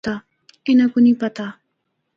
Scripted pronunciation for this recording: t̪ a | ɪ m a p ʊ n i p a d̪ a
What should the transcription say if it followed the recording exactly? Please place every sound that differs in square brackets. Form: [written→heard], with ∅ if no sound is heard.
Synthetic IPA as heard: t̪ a | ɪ [m→n] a [p→k] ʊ n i p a [d̪→t̪] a